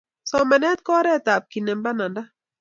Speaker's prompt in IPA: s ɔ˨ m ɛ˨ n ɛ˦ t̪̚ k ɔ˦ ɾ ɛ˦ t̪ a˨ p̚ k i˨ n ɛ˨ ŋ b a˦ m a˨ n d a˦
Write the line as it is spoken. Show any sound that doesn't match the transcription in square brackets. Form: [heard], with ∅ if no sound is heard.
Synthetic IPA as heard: s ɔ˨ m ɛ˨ n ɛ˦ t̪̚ k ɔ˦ ɾ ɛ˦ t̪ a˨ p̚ k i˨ n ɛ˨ [m] b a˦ [n] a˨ n d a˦